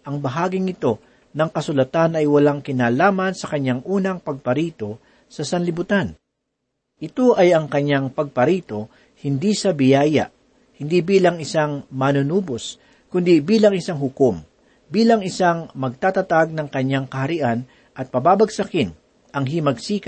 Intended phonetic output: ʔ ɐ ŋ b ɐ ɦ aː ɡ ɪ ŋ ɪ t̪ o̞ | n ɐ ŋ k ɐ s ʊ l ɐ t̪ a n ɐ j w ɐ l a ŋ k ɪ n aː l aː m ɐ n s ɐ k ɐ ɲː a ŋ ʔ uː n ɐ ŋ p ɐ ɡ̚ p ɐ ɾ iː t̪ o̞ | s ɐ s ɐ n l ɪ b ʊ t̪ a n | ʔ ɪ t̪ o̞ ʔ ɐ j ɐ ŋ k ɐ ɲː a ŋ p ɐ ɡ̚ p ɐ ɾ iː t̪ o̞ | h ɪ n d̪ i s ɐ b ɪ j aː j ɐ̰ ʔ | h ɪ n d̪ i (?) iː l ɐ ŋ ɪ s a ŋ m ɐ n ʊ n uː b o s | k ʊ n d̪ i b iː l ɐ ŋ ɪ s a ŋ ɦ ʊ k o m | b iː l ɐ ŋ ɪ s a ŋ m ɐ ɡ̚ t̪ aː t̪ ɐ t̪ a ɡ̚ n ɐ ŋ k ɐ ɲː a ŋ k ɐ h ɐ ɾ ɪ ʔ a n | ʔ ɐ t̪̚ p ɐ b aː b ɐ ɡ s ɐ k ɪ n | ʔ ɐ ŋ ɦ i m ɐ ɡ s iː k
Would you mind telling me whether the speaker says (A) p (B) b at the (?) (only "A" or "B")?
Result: B